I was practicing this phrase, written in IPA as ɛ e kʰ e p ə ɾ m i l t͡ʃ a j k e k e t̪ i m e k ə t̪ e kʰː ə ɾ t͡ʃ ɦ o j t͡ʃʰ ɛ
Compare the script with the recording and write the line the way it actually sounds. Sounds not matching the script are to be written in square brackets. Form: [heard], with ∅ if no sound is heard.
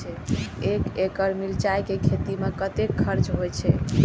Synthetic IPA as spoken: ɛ e [k] e [k] ə ɾ m i l t͡ʃ a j k e [kʰ] e t̪ i m e k ə t̪ e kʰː ə ɾ t͡ʃ ɦ o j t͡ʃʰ ɛ